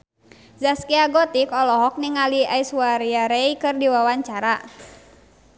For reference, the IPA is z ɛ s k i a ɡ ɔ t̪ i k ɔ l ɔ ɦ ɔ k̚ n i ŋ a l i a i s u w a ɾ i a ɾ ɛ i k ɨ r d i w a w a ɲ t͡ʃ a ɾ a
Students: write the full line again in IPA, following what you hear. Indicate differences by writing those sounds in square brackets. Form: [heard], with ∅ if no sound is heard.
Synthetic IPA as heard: z [a] s k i a ɡ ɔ t̪ i k ɔ l ɔ ɦ ɔ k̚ n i ŋ a l i a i s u w a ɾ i a ɾ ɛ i k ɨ r d i w a w a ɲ t͡ʃ a ɾ a